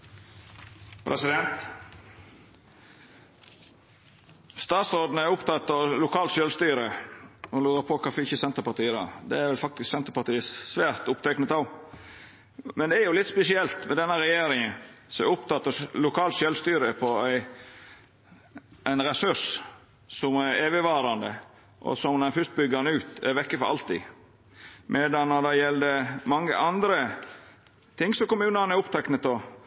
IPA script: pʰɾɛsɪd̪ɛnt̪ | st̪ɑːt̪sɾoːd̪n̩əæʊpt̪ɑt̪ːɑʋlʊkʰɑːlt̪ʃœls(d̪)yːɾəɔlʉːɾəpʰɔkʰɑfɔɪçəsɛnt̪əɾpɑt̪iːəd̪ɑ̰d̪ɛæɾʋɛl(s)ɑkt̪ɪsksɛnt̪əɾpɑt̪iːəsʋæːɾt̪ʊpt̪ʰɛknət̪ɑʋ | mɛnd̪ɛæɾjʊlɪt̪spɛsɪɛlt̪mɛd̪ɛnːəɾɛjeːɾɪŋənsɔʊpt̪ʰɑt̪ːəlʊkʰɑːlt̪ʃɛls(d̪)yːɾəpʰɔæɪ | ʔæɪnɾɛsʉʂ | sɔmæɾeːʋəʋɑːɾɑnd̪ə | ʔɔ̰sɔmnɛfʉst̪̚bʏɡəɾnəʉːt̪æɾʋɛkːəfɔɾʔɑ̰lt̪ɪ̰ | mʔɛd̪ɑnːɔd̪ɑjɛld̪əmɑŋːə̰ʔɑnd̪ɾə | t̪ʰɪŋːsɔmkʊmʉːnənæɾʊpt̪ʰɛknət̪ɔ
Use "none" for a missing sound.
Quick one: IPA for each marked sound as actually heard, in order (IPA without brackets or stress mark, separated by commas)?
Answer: t̪, f, t̪